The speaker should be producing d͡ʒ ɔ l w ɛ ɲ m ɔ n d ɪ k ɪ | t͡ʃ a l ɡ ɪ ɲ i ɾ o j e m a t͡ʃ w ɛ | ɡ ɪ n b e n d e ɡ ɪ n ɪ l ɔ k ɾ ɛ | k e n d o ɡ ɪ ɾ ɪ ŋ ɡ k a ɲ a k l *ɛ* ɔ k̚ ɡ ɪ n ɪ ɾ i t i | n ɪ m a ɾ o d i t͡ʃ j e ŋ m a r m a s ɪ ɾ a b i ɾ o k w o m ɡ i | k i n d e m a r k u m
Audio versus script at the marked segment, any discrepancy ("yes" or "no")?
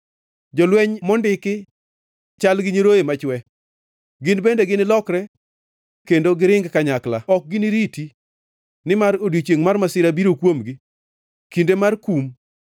yes